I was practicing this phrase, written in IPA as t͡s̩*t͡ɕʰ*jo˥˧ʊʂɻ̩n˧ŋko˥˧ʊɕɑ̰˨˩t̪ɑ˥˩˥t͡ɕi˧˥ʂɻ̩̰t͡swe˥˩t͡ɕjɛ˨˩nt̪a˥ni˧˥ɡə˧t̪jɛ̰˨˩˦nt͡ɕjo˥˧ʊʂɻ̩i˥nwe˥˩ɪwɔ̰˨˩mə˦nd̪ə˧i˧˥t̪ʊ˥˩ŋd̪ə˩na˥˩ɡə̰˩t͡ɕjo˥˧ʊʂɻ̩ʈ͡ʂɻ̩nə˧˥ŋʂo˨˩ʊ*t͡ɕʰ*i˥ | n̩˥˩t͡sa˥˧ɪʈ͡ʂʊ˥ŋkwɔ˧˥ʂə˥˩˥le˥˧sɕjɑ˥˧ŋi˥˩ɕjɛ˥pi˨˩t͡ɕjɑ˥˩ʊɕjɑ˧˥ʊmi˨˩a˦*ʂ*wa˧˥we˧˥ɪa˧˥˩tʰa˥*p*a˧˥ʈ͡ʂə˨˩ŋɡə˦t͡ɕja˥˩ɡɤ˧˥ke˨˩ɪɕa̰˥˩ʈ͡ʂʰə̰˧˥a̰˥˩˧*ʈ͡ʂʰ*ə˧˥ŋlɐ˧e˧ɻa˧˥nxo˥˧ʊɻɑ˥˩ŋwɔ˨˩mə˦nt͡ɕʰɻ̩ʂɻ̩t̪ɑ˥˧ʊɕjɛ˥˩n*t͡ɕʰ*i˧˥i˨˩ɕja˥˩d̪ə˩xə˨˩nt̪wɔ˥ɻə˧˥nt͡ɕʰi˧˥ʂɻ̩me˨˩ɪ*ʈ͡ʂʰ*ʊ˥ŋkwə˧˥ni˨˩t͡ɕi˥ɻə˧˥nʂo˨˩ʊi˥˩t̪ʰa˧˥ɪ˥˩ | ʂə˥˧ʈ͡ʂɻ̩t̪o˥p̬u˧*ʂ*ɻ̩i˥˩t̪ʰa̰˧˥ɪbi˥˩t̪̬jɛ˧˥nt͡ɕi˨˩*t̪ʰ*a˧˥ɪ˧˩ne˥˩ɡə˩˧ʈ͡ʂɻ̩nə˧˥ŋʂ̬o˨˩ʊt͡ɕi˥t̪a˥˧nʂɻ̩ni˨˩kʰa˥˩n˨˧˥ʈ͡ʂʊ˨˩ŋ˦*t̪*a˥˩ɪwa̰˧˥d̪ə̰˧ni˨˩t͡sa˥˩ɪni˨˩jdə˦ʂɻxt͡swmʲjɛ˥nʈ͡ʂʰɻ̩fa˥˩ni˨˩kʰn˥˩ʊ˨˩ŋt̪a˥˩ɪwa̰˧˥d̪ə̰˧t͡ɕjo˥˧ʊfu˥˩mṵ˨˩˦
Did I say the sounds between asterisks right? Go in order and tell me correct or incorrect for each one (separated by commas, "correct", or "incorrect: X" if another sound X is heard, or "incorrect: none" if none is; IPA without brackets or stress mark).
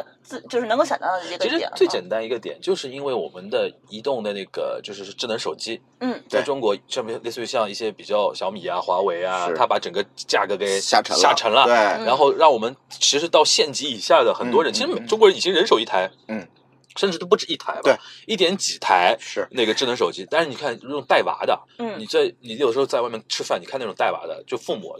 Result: incorrect: t͡ɕ, incorrect: t͡ɕ, incorrect: x, correct, correct, incorrect: t͡ɕ, incorrect: ʈ͡ʂ, incorrect: ʈ͡ʂ, correct, correct